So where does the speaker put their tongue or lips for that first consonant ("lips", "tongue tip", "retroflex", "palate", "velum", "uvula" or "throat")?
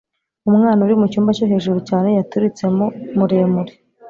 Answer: lips